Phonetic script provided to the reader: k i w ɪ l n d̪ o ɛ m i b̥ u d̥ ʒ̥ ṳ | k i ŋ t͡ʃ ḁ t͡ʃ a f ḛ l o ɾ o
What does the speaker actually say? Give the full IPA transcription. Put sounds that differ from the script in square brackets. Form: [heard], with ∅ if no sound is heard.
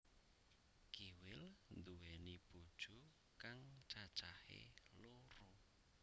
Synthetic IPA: k i w ɪ l n d̪ [u] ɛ [n] i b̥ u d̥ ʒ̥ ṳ | k [a] ŋ t͡ʃ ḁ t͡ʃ a [h] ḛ l o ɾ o